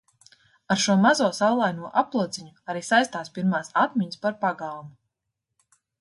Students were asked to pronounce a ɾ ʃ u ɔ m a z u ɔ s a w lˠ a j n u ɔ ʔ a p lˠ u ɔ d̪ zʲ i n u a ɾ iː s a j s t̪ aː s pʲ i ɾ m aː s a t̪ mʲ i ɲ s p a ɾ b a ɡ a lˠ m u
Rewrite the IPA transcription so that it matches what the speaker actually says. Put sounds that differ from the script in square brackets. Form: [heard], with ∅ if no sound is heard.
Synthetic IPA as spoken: a ɾ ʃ u ɔ m a z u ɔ s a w lˠ a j n u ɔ ʔ a p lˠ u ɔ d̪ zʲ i [ɲ] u a ɾ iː s a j s t̪ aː s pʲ i ɾ m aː s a t̪ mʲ i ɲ s p a ɾ [p] a ɡ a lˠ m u